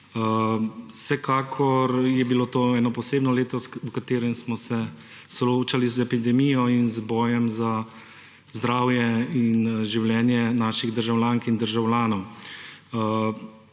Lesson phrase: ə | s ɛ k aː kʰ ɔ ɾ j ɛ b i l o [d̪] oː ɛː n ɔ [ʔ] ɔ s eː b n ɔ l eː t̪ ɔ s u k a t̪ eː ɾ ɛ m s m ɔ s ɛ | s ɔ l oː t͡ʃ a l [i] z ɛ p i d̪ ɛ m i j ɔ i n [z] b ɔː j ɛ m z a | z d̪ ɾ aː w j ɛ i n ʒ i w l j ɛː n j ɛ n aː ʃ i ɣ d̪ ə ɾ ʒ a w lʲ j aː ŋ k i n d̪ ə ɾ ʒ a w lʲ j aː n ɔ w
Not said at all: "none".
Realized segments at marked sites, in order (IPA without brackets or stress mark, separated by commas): t̪, p, i, z